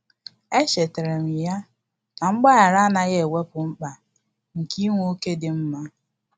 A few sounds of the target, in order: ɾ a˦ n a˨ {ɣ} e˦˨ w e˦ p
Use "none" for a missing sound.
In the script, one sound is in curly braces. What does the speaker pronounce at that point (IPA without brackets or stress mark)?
ɣ